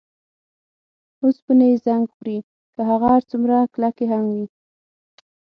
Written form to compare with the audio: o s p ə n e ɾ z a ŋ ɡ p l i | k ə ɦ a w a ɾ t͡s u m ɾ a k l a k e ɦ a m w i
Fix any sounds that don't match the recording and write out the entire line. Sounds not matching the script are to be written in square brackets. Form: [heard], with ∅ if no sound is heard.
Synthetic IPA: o s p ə n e [∅] z a ŋ ɡ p [ɾ] i | k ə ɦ a [ɣ] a ɾ t͡s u m ɾ a k l a k e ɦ a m w i